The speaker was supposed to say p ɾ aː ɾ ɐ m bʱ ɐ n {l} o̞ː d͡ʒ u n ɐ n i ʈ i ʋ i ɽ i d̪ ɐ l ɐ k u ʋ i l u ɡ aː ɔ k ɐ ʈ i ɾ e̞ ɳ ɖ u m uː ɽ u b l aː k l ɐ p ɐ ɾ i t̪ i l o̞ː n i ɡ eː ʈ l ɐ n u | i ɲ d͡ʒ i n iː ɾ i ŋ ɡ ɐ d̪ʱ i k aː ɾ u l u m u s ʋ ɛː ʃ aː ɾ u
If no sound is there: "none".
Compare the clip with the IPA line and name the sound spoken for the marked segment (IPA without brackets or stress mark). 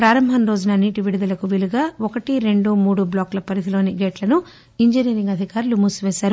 ɾ